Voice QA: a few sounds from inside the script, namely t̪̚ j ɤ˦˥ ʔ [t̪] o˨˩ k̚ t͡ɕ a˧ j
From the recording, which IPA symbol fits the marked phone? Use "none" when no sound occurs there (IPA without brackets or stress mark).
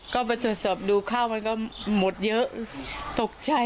t̪